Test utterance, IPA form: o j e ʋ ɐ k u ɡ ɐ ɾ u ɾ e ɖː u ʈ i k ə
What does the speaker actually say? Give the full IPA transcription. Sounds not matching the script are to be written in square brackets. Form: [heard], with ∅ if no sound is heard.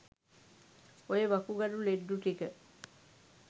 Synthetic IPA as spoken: o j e ʋ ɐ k u ɡ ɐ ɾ u [l] e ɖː u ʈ i k ə